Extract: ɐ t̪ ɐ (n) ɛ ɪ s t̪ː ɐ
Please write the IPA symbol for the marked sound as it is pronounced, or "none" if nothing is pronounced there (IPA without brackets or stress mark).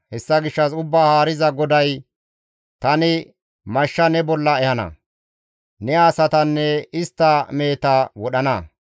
nː